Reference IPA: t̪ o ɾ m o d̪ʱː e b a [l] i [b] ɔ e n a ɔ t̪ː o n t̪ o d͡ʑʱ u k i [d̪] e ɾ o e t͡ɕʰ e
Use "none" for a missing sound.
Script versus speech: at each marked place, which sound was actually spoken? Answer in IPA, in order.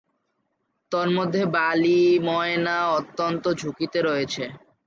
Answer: l, m, t̪

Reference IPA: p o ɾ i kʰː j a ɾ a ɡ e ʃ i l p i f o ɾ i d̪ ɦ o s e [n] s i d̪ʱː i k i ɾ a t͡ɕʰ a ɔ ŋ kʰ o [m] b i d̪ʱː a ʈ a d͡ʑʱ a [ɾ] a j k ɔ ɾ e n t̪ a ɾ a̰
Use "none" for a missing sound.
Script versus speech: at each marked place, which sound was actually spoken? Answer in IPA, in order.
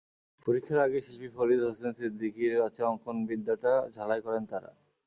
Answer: n, n, l

